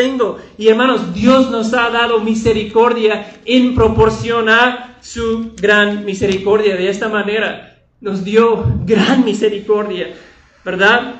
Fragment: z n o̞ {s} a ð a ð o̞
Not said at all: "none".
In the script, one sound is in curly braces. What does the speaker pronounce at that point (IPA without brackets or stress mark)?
s